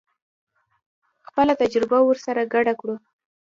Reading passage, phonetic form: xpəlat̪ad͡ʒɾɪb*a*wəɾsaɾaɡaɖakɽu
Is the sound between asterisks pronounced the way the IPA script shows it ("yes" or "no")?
yes